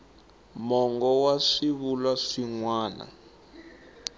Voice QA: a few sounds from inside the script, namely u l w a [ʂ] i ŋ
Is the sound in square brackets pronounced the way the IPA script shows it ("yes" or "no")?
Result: yes